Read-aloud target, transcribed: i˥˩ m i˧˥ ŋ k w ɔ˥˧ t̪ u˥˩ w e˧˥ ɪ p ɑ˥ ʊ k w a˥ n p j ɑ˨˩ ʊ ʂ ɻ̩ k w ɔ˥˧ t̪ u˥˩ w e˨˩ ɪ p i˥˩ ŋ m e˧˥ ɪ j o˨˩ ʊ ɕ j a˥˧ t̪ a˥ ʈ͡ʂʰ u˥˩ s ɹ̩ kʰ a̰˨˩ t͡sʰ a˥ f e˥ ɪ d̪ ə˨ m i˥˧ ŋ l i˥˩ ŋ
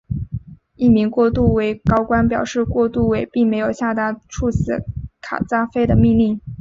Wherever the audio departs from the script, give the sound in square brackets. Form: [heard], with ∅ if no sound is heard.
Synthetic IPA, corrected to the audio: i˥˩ m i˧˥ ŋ k w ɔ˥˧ t̪ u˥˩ w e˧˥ ɪ [k] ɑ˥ ʊ k w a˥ n p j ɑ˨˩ ʊ ʂ ɻ̩ k w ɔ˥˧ t̪ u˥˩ w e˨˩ ɪ p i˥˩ ŋ m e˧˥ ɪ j o˨˩ ʊ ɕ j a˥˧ t̪ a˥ ʈ͡ʂʰ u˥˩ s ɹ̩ kʰ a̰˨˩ [t͡s] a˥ f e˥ ɪ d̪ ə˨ m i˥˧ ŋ l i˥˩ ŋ